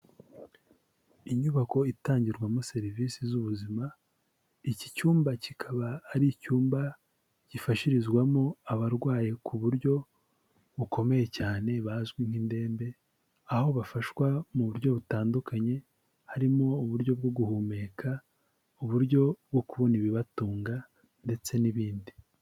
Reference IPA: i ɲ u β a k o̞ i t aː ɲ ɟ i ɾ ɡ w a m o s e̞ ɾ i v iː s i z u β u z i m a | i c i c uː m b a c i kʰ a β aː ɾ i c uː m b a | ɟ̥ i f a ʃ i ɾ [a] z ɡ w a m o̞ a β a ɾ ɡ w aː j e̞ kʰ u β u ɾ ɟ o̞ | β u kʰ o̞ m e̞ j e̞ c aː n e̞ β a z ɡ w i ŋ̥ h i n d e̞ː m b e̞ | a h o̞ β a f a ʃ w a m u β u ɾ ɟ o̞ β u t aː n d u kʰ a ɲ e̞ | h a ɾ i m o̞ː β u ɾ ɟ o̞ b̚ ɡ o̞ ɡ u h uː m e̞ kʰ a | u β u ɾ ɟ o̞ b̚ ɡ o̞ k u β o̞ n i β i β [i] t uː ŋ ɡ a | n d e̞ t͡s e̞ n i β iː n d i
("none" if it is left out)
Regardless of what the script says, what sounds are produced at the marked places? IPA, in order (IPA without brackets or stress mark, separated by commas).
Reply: i, a